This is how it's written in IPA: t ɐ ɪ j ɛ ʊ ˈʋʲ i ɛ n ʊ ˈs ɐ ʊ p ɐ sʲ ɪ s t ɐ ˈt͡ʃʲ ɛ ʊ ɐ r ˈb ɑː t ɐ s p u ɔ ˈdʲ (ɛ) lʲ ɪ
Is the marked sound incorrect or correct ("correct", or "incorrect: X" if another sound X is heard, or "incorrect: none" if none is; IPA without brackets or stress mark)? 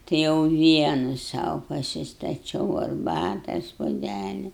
incorrect: æ